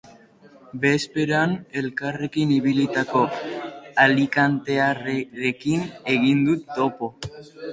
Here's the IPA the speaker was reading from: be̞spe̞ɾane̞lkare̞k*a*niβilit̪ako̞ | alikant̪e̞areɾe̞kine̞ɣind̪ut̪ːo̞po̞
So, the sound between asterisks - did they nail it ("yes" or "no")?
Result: no